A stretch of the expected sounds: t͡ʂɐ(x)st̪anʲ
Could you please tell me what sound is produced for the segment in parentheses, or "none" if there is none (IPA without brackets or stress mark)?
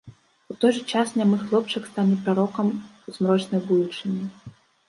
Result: k